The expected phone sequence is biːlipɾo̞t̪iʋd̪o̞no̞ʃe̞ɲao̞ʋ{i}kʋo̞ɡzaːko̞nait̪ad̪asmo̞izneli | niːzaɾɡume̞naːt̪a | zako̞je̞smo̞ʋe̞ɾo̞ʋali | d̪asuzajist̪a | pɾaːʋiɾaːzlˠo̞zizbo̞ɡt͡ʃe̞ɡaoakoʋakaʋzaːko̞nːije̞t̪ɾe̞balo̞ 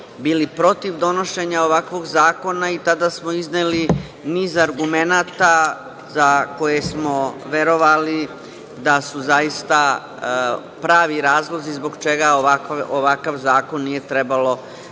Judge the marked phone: incorrect: a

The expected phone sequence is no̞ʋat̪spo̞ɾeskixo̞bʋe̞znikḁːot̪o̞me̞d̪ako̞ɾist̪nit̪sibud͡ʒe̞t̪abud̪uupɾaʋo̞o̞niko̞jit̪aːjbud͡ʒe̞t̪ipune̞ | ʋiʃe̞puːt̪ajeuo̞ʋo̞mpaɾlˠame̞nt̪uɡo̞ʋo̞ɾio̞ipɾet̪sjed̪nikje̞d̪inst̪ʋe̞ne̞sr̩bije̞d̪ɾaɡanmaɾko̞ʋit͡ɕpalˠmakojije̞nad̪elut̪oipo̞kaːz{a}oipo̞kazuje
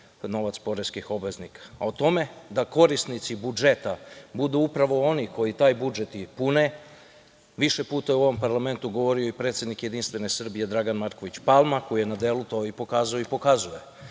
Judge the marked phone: correct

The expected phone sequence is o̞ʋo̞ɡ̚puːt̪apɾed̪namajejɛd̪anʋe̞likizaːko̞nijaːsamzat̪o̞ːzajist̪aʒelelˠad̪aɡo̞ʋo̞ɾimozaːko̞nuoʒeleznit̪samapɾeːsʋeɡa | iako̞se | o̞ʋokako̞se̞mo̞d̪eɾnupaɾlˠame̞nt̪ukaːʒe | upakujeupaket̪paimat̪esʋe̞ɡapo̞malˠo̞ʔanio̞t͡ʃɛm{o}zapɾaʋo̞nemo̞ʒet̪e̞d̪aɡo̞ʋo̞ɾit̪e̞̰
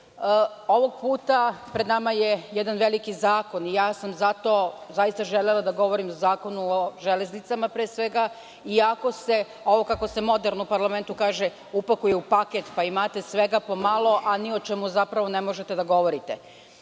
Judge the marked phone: incorrect: u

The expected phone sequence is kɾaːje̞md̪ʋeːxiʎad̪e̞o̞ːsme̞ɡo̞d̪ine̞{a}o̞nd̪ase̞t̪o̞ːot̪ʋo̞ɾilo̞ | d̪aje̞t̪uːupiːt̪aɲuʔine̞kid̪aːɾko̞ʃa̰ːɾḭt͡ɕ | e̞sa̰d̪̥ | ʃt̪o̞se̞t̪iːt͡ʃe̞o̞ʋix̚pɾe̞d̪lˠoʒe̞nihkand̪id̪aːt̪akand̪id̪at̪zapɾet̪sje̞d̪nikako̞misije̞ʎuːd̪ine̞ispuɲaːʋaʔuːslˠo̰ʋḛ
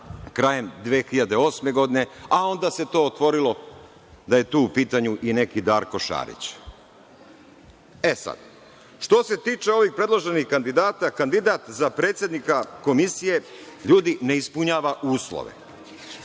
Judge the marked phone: correct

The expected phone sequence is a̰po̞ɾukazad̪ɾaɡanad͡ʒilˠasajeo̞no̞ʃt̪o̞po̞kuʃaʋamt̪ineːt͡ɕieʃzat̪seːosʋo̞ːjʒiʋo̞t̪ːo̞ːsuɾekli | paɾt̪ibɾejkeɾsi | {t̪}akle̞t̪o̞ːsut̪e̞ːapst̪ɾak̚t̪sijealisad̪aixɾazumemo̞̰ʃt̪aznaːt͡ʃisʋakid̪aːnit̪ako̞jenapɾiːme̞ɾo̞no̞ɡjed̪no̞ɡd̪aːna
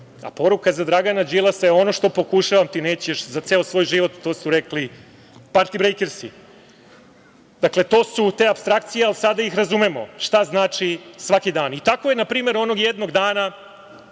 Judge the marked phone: incorrect: d̪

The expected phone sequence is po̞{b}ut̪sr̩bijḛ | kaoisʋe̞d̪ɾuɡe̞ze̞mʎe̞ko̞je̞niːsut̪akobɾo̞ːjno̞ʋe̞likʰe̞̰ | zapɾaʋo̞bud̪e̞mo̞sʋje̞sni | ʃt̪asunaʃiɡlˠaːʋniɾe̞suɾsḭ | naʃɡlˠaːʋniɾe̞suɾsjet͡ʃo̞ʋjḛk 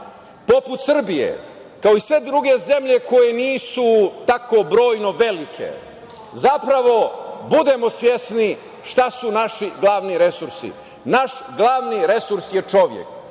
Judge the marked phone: incorrect: p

